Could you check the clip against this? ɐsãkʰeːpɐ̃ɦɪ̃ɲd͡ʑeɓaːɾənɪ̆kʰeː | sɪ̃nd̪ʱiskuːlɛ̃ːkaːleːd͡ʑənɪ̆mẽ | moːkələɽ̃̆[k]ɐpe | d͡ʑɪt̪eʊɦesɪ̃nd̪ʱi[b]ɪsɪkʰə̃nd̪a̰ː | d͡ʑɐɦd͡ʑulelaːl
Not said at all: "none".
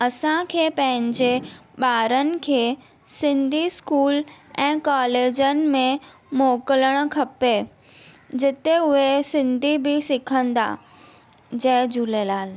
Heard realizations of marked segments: kʰ, b

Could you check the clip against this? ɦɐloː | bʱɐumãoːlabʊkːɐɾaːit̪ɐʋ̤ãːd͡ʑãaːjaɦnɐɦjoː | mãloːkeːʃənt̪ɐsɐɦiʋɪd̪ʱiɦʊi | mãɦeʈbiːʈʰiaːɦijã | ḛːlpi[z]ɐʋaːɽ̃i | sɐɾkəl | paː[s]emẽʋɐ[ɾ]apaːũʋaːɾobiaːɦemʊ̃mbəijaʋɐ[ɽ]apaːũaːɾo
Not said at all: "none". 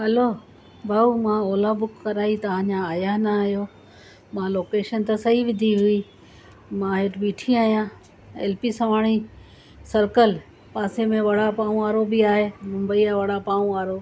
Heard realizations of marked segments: s, s, ɽ, ɽ

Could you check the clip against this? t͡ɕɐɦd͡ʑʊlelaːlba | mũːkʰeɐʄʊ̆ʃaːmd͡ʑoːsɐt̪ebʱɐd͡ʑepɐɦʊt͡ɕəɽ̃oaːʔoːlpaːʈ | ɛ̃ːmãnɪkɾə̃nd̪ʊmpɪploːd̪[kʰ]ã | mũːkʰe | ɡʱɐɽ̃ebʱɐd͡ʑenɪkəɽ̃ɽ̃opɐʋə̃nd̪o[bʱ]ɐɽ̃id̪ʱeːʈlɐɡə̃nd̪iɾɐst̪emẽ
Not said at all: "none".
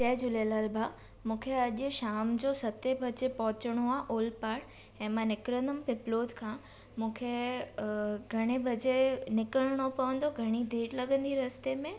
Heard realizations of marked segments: kʰ, ɡʱ

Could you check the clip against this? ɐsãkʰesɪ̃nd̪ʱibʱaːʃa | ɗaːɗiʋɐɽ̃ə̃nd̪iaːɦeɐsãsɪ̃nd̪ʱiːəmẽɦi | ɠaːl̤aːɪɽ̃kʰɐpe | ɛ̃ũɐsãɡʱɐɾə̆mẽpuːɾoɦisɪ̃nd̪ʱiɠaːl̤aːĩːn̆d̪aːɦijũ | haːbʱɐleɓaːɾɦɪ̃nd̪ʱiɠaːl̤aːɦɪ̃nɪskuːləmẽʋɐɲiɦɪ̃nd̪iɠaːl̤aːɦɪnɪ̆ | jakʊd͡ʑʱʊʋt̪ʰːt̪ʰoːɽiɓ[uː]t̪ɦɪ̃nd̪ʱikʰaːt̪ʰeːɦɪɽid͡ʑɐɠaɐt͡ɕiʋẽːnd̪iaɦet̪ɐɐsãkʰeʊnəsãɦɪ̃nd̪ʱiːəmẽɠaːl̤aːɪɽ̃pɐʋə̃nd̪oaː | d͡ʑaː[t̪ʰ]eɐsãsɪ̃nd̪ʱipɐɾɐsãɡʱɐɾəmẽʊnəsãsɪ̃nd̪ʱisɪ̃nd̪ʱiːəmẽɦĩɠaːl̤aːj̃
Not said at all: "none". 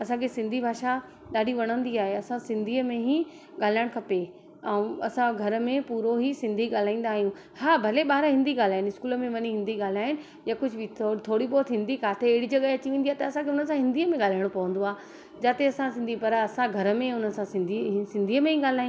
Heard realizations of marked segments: ɔː, t̪

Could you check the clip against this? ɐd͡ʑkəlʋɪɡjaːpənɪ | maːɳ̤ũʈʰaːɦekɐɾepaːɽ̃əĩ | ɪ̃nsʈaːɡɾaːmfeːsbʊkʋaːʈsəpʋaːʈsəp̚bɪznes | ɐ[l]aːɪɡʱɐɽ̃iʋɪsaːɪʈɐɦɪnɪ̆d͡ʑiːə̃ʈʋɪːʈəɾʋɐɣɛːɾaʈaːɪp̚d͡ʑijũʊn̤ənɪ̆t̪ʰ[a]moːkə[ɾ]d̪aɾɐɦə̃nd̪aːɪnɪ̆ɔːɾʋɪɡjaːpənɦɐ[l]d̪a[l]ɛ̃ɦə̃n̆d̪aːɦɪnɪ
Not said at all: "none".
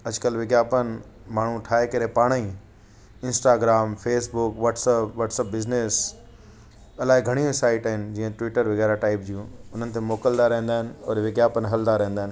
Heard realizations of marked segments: l, e, l, l, ɾ

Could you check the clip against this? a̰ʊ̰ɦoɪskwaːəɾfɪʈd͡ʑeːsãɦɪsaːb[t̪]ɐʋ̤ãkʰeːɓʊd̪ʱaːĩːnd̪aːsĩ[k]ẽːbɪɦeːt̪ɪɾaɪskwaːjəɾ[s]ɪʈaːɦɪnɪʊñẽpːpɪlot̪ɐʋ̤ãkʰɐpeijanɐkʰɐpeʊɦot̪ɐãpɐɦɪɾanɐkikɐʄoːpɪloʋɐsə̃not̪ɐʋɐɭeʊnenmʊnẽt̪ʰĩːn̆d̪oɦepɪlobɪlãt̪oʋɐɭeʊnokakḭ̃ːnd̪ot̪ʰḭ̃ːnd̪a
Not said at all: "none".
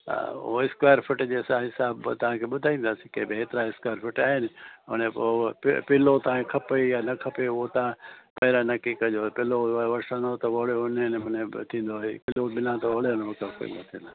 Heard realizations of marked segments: t̪, k, f

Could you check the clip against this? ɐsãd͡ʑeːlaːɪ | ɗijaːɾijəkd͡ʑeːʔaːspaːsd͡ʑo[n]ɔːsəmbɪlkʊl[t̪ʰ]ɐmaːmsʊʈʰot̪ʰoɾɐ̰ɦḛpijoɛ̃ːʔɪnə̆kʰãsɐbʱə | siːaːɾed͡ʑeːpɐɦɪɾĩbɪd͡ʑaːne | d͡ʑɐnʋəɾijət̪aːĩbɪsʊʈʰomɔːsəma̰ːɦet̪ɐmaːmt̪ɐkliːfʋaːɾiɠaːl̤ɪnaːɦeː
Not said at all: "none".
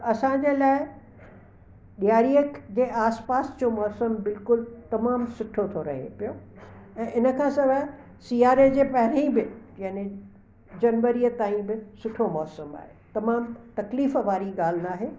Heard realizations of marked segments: m, t̪

